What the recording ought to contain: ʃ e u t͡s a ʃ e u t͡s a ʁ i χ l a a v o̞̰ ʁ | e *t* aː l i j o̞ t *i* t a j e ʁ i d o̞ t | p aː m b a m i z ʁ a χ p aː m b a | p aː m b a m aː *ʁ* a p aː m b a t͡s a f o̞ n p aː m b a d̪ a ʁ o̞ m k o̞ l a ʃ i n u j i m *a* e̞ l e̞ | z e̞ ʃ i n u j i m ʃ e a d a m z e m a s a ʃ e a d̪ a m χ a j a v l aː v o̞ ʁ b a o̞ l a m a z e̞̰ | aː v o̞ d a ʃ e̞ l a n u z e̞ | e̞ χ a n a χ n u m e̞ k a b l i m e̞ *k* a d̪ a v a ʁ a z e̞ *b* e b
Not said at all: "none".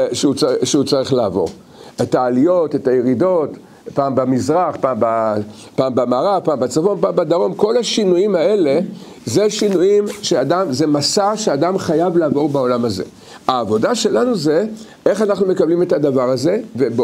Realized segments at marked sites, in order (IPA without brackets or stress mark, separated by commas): t, e, ʁ, a, t, v